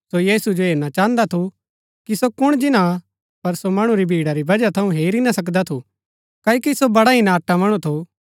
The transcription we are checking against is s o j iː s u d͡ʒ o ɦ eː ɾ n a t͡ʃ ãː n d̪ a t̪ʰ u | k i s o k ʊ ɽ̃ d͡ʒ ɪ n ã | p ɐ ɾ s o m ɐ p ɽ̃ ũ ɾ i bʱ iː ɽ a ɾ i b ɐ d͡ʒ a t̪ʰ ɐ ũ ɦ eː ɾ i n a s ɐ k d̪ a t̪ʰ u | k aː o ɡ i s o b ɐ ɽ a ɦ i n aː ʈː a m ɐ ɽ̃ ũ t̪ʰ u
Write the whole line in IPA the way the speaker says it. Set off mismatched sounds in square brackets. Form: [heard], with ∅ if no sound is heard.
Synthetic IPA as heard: s o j iː s u d͡ʒ o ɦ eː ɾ n a t͡ʃ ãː n d̪ a t̪ʰ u | k i s o k ʊ ɽ̃ d͡ʒ ɪ n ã | p ɐ ɾ s o m ɐ [∅] ɽ̃ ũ ɾ i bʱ iː ɽ a ɾ i b ɐ d͡ʒ a t̪ʰ ɐ ũ ɦ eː ɾ i n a s ɐ k d̪ a t̪ʰ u | k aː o [k] i s o b ɐ ɽ a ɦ i n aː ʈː a m ɐ ɽ̃ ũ t̪ʰ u